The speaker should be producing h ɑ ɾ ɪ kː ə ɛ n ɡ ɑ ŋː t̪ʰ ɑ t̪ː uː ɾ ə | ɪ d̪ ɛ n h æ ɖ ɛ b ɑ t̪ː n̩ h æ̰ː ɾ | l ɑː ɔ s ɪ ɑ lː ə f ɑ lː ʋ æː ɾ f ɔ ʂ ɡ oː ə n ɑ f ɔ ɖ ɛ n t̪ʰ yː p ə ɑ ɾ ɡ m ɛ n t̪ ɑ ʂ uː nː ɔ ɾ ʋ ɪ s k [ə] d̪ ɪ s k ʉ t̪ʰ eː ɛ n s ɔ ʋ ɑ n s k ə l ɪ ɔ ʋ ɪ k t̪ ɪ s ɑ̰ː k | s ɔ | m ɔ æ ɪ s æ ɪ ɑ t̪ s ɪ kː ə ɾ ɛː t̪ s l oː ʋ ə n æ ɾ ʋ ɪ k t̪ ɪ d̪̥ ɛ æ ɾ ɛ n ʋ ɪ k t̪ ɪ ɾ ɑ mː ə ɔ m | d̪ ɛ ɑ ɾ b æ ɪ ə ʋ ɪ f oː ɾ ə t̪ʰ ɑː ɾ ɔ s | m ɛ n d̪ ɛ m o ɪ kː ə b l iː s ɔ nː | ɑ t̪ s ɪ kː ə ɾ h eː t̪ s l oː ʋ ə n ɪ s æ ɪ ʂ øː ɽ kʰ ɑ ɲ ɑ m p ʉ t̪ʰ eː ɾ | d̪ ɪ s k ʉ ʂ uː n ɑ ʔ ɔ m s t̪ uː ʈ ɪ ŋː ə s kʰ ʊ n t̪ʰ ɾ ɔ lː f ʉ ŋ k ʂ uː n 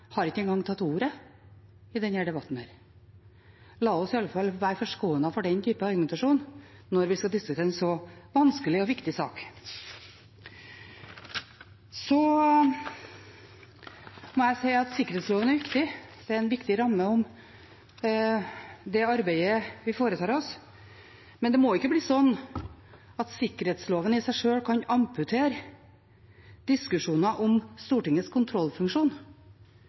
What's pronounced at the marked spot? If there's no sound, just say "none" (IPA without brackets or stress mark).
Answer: ɑ